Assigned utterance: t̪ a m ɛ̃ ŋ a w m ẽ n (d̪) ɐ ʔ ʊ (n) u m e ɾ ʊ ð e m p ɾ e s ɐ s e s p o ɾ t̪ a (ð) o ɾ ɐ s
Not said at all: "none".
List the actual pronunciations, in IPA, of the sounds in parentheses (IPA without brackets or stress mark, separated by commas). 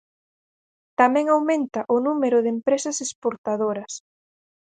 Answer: t̪, n, ð